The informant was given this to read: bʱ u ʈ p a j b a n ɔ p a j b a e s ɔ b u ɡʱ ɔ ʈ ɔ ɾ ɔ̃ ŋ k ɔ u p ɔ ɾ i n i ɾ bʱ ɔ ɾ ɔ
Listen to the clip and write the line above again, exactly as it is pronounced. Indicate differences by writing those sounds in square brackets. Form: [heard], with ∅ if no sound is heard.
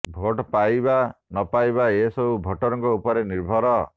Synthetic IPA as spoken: bʱ [o] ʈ p a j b a n ɔ p a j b a e s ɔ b u [bʱ] ɔ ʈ ɔ ɾ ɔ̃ ŋ k ɔ u p ɔ ɾ [e] n i ɾ bʱ ɔ ɾ ɔ